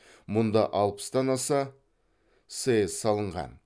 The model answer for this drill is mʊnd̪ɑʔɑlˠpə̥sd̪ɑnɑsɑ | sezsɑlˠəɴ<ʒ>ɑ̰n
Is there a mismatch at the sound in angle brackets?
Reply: yes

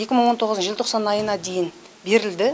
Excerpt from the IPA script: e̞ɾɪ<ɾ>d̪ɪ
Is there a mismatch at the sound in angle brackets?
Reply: yes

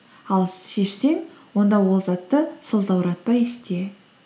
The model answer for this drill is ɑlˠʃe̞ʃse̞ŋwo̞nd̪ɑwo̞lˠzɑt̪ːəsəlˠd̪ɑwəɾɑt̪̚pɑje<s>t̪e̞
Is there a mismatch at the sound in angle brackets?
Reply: no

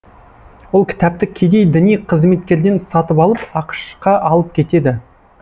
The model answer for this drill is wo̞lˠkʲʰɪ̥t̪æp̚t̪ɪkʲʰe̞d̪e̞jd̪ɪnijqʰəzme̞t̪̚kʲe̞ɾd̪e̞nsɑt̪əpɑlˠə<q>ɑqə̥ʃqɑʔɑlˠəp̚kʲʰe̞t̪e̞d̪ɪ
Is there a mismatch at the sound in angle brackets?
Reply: yes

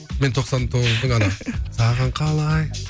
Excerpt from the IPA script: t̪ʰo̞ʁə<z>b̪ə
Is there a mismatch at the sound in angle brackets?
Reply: no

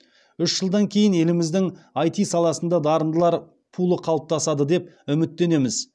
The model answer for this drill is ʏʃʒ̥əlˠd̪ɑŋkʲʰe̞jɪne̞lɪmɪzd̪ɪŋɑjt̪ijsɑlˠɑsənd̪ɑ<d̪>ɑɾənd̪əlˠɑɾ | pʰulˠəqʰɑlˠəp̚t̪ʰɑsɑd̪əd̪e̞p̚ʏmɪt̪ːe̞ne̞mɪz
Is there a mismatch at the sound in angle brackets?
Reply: no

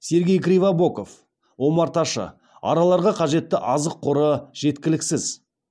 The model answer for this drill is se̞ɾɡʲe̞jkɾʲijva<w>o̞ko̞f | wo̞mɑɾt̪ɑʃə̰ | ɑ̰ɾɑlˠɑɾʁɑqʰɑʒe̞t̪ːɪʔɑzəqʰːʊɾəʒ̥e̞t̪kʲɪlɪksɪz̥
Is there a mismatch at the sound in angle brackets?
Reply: yes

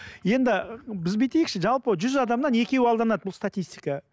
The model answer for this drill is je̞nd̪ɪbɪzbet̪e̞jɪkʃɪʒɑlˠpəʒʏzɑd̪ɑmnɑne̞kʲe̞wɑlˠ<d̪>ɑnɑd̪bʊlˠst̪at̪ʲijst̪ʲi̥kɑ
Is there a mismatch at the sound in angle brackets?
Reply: no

